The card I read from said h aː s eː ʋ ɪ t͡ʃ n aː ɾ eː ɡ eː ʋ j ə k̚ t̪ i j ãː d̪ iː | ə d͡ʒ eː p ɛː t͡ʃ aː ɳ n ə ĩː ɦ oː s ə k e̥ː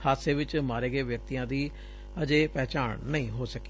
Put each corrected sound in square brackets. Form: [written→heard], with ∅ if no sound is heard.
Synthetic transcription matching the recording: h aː s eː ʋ ɪ t͡ʃ [n→m] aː ɾ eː ɡ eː ʋ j ə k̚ t̪ i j ãː d̪ iː | ə d͡ʒ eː p ɛː t͡ʃ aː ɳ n ə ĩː ɦ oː s ə k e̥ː